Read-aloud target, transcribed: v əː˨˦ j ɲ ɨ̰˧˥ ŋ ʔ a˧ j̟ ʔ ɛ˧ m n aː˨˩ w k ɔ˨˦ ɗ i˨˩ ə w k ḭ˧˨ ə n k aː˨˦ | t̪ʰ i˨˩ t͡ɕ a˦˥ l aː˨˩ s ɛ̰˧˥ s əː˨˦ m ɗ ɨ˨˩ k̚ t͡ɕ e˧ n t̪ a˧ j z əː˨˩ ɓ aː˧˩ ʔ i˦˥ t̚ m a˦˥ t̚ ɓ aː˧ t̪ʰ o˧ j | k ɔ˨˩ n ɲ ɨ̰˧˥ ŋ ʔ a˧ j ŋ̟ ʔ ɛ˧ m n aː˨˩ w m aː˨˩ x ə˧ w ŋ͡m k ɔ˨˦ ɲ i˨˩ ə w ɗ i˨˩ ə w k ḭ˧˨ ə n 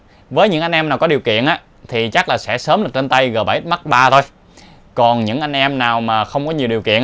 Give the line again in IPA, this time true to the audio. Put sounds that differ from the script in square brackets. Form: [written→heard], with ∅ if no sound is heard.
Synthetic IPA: v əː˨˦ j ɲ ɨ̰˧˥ ŋ ʔ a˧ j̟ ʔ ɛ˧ m n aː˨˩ w k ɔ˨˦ ɗ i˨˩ ə w k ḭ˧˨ ə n [k→ʔ] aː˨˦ | t̪ʰ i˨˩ t͡ɕ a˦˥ l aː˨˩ s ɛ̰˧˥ s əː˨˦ m ɗ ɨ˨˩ k̚ t͡ɕ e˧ n t̪ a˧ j [z→ɣ] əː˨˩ ɓ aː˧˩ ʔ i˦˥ t̚ m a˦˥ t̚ ɓ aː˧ t̪ʰ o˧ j | k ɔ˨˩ n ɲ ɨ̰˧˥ ŋ ʔ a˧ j ŋ̟ ʔ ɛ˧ m n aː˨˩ w m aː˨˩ x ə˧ w ŋ͡m k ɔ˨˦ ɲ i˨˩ ə w ɗ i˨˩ ə w k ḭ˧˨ ə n